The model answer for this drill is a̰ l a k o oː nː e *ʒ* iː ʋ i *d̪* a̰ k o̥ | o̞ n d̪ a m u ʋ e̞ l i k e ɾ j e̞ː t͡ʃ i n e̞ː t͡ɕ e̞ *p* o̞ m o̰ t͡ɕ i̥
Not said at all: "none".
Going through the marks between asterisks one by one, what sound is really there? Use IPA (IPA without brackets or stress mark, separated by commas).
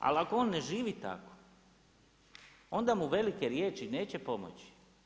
ʒ, t̪, p